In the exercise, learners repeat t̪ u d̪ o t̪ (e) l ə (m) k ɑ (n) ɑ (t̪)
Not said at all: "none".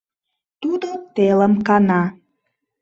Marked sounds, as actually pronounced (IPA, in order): e, m, n, none

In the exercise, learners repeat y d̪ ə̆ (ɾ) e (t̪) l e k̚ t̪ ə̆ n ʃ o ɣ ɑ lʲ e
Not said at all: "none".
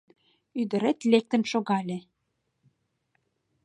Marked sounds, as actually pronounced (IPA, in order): ɾ, t̪

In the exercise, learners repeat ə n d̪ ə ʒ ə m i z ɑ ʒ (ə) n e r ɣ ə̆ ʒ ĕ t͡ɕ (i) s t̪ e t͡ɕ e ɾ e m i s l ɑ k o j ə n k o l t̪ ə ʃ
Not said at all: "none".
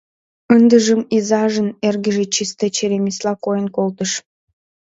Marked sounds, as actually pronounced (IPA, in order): ə, i

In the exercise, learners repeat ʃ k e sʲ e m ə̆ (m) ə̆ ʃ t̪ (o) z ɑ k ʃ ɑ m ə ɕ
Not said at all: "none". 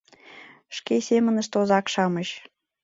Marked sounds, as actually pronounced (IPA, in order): n, o

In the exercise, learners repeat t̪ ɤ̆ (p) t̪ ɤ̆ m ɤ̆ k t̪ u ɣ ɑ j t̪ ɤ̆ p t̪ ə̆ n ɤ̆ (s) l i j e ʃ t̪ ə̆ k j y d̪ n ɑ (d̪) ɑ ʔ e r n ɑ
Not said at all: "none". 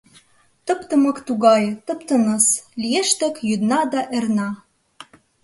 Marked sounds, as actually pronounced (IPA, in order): p, s, d̪

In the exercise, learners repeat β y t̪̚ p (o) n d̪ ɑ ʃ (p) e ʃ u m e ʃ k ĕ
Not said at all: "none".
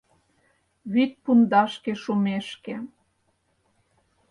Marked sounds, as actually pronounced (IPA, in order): u, k

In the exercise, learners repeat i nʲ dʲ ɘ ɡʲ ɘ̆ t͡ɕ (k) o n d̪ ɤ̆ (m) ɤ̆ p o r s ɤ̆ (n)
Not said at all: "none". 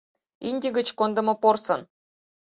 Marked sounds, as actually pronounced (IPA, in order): k, m, n

